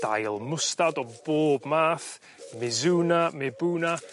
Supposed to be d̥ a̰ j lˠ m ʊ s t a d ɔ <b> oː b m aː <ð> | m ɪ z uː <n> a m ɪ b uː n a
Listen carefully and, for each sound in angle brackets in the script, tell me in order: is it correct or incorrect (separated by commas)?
correct, incorrect, correct